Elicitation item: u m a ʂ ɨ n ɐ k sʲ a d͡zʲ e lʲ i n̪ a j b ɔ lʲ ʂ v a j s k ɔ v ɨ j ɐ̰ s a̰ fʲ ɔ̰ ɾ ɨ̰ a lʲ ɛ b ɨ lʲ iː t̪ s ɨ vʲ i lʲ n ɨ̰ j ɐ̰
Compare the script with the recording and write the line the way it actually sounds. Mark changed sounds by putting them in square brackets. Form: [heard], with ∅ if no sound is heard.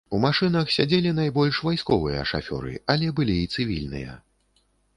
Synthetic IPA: u m a ʂ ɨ n ɐ [x] sʲ a d͡zʲ e lʲ i n̪ a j b ɔ lʲ ʂ v a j s k ɔ v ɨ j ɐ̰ [ʂ] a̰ fʲ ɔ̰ ɾ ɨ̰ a lʲ ɛ b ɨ lʲ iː t̪ s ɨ vʲ i lʲ n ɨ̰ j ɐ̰